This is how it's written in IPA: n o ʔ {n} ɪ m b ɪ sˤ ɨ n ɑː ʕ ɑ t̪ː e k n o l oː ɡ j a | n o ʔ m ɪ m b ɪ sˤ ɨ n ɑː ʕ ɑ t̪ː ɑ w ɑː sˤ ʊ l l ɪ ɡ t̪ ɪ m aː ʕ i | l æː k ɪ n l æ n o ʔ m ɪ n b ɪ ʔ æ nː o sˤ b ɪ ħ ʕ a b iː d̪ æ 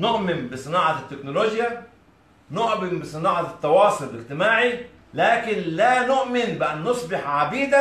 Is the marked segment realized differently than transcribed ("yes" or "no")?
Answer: yes